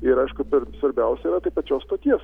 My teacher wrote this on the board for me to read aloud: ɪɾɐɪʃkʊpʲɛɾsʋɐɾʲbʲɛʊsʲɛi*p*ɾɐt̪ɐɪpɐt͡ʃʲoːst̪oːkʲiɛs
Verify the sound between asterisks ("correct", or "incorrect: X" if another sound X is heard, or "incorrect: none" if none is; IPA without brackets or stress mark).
incorrect: none